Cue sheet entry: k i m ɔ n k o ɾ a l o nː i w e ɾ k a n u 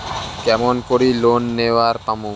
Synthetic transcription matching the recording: k ɛ m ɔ n k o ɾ i l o nː e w a ɾ p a m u